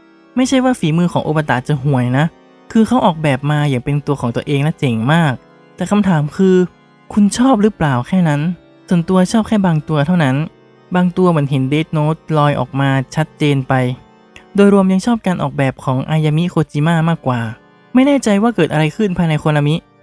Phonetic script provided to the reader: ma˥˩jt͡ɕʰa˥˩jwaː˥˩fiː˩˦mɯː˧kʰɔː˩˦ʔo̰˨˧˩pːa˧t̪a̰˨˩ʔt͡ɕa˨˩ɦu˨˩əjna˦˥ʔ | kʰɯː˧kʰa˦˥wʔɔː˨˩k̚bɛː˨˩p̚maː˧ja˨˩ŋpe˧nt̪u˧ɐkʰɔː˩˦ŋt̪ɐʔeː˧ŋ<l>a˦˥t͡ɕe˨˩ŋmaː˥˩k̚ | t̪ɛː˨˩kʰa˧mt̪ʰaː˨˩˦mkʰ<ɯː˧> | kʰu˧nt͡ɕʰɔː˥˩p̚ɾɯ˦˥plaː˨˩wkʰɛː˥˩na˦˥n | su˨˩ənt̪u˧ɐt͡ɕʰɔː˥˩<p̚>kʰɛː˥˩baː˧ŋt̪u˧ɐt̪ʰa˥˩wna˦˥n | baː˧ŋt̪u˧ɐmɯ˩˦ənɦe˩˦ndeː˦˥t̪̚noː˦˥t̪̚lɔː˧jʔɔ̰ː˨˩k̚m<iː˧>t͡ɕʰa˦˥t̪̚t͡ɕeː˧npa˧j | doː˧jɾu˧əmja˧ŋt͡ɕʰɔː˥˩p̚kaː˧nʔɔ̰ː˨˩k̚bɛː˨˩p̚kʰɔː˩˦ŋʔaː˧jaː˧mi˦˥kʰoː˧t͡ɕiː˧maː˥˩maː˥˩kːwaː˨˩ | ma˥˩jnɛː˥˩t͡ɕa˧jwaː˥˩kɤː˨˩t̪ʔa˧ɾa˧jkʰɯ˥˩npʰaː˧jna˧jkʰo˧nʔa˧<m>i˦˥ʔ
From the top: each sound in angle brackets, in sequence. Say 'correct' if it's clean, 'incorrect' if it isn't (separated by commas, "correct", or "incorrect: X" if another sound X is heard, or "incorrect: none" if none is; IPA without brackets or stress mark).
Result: correct, correct, correct, incorrect: aː˧, correct